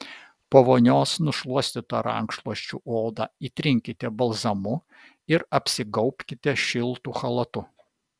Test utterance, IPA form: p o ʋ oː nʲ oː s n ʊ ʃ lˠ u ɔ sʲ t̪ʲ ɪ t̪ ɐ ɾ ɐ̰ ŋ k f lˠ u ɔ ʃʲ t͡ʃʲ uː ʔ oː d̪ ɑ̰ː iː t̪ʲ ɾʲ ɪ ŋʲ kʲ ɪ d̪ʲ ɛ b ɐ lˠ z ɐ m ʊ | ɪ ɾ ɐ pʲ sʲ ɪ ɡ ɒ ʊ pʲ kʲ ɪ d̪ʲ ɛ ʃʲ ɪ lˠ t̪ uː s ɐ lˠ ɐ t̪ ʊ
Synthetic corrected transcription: p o ʋ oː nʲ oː s n ʊ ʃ lˠ u ɔ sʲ t̪ʲ ɪ t̪ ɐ ɾ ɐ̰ ŋ k ʃ lˠ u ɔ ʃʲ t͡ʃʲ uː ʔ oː d̪ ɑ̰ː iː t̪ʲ ɾʲ ɪ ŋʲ kʲ ɪ t̪ʲ ɛ b ɐ lˠ z ɐ m ʊ | ɪ ɾ ɐ pʲ sʲ ɪ ɡ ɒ ʊ pʲ kʲ ɪ t̪ʲ ɛ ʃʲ ɪ lˠ t̪ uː x ɐ lˠ ɐ t̪ ʊ